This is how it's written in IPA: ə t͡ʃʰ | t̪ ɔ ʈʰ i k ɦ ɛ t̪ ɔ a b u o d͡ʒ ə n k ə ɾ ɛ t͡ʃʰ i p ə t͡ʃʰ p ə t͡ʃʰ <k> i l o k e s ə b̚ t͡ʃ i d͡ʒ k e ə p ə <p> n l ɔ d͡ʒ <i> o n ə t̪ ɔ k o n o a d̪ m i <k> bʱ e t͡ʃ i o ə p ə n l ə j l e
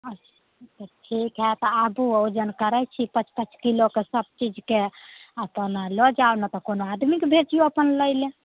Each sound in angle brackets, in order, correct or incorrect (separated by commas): correct, incorrect, incorrect, correct